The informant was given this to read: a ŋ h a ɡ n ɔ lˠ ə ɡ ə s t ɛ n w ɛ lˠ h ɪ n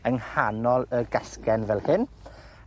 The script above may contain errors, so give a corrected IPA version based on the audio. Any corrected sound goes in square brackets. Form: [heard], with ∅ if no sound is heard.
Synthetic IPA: [ə] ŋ h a [∅] n ɔ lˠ ə ɡ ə s [k] ɛ n [v] ɛ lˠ h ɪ n